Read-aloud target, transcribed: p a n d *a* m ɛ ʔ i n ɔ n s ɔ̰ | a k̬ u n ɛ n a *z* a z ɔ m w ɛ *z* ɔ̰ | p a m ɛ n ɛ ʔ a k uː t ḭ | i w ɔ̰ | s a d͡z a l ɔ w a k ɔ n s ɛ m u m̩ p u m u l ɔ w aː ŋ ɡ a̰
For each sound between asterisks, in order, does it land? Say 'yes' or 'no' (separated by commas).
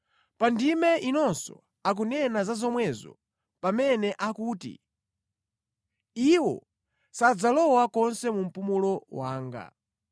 no, yes, yes